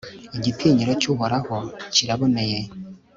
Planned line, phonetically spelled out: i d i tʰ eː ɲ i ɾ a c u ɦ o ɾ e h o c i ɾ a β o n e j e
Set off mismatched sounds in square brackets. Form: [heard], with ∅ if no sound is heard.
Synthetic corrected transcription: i [ɟ] i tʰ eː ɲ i ɾ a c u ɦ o ɾ [a] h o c i ɾ a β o n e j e